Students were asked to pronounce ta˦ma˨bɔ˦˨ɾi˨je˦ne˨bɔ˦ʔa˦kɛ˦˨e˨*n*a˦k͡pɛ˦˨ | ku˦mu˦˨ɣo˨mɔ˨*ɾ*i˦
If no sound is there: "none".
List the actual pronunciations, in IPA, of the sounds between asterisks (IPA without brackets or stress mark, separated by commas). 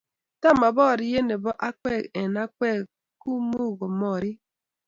n, ɾ